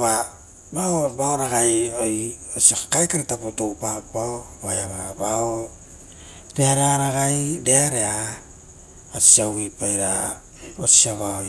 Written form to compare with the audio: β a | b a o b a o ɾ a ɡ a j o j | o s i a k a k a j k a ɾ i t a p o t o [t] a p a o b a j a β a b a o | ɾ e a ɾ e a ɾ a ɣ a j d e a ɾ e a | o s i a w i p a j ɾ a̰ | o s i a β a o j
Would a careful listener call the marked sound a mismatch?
yes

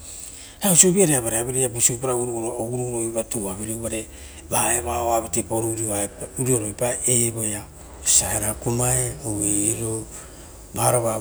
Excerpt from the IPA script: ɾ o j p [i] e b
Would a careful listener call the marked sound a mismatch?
yes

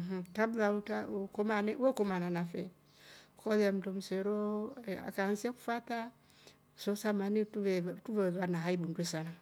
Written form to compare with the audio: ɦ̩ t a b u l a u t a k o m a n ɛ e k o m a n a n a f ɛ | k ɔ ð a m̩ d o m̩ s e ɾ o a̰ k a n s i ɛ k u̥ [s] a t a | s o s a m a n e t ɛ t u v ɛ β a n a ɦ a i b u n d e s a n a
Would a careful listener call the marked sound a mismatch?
yes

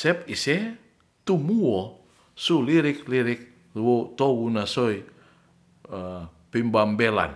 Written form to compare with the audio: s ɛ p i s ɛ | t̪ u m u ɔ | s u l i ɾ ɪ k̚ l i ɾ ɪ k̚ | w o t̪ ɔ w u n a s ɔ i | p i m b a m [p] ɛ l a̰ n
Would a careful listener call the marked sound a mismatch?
yes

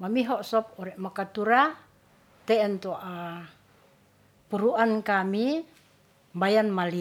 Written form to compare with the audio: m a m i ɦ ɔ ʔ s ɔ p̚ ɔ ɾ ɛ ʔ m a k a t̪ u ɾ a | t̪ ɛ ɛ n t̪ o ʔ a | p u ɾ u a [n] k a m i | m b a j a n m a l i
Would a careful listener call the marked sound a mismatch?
no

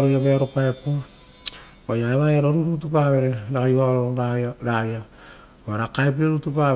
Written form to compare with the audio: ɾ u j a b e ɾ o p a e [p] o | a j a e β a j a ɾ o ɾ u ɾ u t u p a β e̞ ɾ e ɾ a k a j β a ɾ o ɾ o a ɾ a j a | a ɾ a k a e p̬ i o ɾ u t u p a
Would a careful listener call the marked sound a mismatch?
no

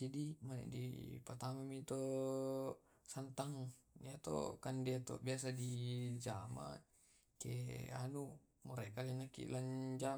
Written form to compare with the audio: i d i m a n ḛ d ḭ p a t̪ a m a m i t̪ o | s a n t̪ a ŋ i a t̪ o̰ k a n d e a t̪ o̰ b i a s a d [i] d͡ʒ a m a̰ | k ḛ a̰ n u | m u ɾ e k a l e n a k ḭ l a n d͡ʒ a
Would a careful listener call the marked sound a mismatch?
no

